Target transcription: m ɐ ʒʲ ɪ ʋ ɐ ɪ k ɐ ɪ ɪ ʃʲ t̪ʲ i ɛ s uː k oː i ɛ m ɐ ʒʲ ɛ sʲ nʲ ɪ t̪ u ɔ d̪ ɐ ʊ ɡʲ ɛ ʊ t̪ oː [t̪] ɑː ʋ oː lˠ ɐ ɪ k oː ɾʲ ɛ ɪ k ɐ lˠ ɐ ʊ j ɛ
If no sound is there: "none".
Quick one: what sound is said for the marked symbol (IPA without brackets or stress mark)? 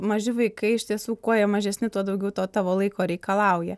t̪